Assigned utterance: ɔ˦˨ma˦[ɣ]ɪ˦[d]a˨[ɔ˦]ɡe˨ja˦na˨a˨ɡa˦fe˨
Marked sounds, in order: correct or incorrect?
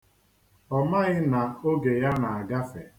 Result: correct, incorrect: n, incorrect: o˦

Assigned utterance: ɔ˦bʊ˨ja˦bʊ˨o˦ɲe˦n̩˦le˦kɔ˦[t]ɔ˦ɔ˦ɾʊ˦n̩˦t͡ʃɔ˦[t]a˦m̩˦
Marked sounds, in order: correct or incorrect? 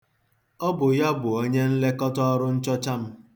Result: correct, incorrect: t͡ʃ

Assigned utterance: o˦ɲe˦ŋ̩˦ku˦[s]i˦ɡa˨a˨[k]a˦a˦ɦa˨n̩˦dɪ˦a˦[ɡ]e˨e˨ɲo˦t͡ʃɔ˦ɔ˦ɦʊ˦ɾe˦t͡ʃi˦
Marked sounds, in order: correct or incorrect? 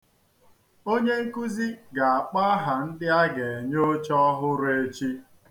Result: incorrect: z, incorrect: k͡p, correct

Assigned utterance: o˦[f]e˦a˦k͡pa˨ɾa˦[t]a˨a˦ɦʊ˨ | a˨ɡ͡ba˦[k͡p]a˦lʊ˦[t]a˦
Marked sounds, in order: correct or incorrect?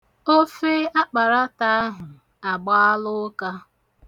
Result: correct, correct, incorrect: none, incorrect: k

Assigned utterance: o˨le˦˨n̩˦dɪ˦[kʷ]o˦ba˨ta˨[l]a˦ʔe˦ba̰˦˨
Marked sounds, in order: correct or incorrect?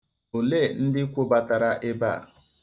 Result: correct, incorrect: ɾ

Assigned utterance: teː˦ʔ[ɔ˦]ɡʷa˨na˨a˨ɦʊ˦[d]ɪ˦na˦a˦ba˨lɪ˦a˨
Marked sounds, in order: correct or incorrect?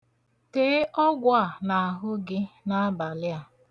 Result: correct, incorrect: ɡ

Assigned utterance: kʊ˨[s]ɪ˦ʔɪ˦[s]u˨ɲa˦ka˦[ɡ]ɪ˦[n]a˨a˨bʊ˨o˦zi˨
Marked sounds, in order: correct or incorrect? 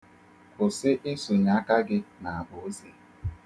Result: correct, correct, correct, correct

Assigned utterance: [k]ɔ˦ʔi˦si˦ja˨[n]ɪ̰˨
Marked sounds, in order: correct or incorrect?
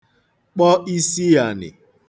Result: incorrect: k͡p, correct

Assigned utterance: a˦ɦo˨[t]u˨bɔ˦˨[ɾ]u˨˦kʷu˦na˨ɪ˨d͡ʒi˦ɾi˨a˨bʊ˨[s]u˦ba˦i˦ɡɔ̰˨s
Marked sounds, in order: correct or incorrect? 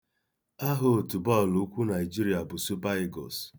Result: correct, incorrect: l, correct

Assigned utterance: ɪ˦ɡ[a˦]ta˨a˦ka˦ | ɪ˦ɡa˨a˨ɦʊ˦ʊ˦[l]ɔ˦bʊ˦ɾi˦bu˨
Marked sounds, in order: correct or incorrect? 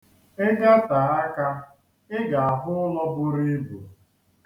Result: correct, correct

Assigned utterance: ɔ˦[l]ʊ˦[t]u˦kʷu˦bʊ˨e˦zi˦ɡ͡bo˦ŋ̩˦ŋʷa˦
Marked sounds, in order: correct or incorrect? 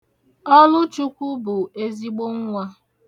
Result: correct, incorrect: t͡ʃ

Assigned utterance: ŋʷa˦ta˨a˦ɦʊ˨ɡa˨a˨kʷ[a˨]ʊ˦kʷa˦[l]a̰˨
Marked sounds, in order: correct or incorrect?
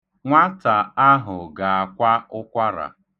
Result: incorrect: a˦, incorrect: ɾ

